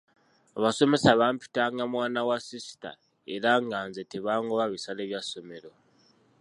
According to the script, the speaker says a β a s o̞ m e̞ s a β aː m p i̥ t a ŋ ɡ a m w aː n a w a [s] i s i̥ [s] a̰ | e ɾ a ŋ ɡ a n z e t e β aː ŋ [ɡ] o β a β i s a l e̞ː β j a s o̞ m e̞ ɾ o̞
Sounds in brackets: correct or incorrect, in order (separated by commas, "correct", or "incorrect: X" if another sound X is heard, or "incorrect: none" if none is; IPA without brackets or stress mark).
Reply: correct, incorrect: t, correct